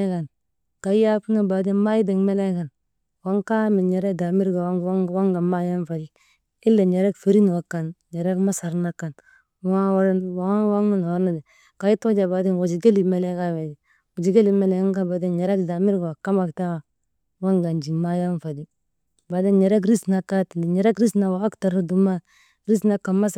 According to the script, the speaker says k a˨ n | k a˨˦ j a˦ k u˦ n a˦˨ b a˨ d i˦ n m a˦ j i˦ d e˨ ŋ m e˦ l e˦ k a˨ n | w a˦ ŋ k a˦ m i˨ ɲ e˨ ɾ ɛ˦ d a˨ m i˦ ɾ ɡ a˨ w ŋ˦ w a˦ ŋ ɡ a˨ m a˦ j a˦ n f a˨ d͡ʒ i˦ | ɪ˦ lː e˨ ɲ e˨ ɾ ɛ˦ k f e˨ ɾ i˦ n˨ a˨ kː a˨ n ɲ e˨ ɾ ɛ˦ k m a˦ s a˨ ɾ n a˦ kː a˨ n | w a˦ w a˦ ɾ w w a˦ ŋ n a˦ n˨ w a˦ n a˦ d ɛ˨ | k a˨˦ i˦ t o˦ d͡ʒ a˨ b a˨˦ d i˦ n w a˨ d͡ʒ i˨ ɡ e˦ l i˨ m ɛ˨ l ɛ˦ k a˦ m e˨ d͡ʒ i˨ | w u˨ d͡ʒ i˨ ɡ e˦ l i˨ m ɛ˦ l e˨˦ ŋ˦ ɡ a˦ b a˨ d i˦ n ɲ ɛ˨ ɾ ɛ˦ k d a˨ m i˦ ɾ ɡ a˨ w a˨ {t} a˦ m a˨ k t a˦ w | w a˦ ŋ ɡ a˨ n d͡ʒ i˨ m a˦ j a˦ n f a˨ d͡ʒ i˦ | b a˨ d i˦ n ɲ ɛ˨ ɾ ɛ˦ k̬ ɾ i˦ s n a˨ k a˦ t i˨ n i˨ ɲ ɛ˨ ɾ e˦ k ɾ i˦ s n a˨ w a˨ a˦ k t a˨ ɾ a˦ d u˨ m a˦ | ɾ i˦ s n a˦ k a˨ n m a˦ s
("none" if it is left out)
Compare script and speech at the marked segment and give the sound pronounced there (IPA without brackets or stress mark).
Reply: k